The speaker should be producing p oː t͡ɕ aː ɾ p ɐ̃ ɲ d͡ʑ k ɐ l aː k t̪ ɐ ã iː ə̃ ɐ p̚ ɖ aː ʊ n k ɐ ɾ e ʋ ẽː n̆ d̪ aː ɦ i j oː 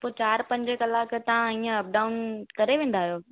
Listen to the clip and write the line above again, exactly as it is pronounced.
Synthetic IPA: p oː t͡ɕ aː ɾ p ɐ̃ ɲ d͡ʑ k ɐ l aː k t̪ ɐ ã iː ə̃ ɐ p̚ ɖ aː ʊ n k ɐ ɾ e ʋ ẽː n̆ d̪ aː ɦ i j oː